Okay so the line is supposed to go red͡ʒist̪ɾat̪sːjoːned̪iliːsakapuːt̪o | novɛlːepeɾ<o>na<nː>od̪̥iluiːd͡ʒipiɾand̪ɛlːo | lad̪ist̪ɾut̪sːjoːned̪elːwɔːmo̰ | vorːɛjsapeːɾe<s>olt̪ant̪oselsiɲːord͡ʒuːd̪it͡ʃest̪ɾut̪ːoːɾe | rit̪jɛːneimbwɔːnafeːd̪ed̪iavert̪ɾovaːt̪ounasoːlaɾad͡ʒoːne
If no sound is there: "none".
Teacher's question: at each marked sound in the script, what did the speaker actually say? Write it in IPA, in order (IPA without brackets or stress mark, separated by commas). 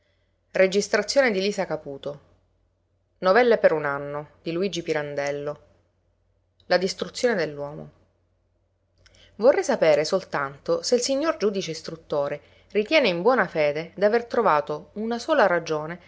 u, nː, s